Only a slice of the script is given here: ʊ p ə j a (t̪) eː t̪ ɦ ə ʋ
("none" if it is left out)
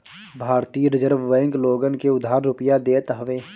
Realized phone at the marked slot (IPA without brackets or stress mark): d̪